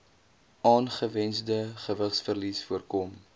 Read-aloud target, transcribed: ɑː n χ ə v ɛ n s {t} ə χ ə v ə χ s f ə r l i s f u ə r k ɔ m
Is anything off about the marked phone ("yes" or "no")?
yes